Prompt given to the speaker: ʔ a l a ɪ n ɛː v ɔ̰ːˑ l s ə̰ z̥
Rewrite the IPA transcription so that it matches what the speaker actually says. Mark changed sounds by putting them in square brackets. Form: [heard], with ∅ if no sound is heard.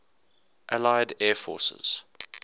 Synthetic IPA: ʔ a l a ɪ [d] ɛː [f] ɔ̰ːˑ [∅] s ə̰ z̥